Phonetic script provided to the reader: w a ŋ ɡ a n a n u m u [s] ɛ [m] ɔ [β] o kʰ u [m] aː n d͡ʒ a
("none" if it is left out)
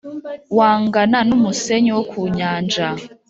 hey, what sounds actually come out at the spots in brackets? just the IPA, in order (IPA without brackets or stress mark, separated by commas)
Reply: s, ɲ, w, ɲ